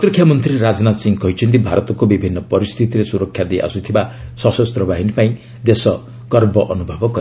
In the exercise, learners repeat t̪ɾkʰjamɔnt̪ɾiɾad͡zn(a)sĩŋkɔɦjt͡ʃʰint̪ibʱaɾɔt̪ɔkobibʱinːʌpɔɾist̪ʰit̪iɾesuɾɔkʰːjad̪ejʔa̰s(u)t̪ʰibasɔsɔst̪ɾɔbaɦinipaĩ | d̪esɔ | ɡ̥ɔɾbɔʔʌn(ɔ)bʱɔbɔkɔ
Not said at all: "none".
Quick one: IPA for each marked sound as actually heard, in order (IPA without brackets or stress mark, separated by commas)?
a, u, u